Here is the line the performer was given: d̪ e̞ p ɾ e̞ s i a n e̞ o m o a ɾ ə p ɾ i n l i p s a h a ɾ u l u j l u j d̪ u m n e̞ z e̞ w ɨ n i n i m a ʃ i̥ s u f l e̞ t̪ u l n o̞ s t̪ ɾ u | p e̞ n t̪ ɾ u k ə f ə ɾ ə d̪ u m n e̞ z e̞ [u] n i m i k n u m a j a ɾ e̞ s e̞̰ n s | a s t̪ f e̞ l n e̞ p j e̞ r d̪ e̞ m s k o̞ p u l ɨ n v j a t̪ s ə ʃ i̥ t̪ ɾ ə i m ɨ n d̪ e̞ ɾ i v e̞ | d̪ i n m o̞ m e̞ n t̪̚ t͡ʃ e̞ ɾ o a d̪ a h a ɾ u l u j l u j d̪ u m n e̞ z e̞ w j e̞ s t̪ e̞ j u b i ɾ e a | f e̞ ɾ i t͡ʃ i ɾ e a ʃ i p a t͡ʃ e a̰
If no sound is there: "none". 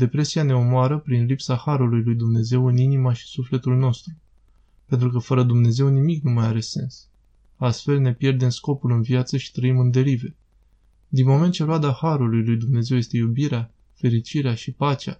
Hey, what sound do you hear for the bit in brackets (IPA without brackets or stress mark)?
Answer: w